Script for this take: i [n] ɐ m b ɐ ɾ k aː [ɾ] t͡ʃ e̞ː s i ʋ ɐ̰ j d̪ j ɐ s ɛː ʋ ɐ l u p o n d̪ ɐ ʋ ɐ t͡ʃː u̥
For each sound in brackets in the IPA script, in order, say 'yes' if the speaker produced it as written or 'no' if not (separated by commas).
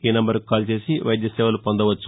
yes, no